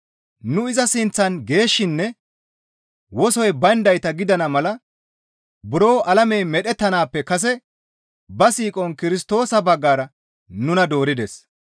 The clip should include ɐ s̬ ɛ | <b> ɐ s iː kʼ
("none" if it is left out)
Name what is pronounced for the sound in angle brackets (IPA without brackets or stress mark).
b